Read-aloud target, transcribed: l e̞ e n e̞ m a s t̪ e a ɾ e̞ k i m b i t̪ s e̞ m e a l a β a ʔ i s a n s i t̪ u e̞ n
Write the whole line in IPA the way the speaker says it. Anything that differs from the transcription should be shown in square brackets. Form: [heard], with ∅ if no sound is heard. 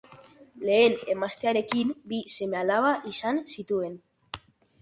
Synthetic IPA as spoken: l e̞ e n e̞ m a s t̪ e a ɾ e̞ k i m b i [∅] s e̞ m e a l a β a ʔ i s a n s i t̪ u e̞ n